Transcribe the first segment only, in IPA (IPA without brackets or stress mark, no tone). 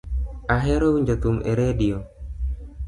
a